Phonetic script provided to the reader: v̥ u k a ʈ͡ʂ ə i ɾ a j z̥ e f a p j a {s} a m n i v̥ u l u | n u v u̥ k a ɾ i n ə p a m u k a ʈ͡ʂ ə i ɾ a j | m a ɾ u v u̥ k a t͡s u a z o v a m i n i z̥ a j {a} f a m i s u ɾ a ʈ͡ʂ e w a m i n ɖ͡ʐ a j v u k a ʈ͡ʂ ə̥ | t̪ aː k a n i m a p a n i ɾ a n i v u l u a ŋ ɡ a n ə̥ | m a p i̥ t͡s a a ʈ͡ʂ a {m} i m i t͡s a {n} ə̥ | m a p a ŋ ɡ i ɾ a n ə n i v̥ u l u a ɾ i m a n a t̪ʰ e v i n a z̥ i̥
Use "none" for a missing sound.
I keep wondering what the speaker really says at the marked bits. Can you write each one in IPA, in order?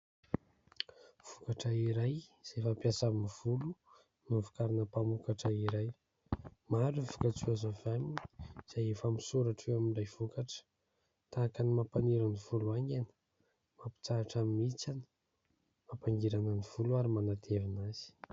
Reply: s, e, m, n

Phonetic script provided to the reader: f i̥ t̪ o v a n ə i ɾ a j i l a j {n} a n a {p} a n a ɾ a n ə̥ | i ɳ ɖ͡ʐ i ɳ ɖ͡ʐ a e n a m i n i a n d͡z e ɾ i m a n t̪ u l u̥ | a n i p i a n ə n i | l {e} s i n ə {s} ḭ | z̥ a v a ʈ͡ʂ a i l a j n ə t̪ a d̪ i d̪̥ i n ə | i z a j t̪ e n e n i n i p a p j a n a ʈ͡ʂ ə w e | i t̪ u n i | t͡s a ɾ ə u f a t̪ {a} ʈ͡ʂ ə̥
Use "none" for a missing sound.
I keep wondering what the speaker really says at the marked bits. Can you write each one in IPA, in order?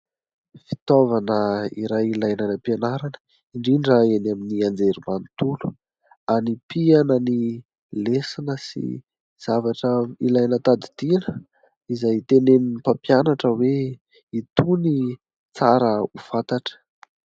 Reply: n, p, e, s, a

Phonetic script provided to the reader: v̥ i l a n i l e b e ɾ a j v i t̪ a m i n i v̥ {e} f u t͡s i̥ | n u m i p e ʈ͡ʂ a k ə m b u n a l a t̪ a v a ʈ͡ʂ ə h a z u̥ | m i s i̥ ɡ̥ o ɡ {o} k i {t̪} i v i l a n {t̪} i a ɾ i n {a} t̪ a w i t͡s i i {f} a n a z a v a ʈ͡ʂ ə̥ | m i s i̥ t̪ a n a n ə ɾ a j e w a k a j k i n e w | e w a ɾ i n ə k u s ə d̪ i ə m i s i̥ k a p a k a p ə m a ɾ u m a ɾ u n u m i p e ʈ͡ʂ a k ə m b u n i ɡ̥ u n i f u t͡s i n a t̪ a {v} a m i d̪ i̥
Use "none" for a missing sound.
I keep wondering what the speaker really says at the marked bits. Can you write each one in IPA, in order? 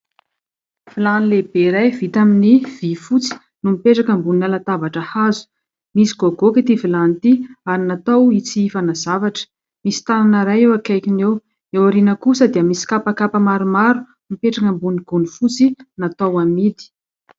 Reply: i, o, t̪, t̪, a, f, w

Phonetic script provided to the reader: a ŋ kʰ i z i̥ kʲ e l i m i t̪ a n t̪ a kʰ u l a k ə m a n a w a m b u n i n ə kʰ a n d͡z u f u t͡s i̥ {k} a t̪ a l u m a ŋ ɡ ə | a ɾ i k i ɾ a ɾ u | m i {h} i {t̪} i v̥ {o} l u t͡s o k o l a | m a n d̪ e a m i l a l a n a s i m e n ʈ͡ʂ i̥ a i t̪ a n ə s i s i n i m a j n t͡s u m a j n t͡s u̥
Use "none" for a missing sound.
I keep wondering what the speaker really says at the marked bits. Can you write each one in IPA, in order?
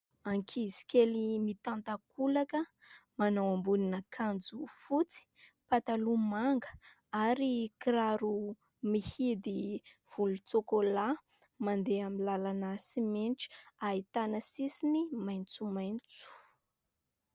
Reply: p, h, d̪, u

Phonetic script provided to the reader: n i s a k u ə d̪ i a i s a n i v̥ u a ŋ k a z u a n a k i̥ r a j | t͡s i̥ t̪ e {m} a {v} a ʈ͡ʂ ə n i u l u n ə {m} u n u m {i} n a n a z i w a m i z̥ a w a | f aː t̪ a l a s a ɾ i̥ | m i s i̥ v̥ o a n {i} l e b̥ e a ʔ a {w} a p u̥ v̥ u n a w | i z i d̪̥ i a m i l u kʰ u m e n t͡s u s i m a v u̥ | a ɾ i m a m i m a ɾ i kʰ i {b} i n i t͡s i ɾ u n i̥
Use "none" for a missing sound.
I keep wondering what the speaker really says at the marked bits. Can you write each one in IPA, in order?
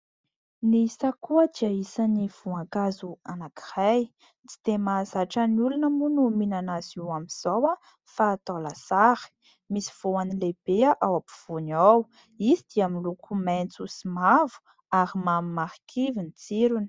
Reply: m, z, m, i, i, w, v

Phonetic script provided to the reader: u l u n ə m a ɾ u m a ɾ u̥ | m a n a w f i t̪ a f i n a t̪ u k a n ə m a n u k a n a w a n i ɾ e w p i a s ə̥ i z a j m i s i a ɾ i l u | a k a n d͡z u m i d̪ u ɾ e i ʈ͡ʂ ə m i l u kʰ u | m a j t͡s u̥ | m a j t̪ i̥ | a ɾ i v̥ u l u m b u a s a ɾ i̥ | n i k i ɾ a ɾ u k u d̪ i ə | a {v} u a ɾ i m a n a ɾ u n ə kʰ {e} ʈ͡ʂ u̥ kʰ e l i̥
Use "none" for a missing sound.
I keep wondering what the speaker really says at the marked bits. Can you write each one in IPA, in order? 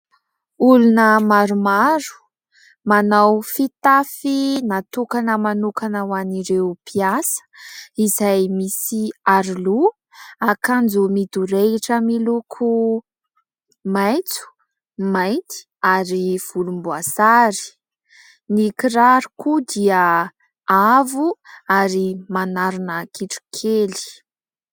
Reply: v, i

